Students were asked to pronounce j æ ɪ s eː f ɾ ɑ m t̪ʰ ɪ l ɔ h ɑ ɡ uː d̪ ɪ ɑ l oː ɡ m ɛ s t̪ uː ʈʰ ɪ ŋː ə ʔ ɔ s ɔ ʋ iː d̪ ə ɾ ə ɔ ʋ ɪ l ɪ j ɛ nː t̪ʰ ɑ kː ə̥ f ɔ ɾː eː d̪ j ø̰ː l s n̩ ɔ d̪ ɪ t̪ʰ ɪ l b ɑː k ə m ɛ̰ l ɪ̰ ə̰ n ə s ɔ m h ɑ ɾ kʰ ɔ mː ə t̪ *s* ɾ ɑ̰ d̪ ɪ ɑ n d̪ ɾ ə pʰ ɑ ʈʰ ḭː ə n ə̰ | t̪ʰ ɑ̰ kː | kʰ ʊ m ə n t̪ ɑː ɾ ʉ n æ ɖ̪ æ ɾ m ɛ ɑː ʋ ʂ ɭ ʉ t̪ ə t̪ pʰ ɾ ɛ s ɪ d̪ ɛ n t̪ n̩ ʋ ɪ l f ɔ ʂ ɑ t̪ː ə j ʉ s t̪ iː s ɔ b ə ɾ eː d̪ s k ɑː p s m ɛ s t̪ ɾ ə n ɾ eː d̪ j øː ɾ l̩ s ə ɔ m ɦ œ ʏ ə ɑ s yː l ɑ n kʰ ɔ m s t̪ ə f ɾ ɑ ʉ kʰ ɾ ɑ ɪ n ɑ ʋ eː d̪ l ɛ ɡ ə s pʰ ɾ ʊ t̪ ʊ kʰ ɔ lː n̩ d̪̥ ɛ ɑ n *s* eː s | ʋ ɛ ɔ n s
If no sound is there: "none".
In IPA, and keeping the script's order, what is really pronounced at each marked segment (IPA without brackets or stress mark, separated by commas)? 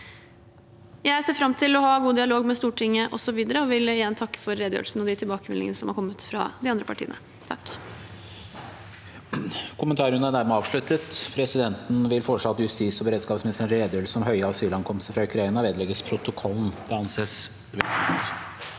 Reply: f, s